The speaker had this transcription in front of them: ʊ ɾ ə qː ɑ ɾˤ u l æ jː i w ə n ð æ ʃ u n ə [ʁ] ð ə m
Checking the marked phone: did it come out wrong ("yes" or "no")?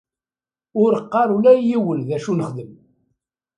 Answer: yes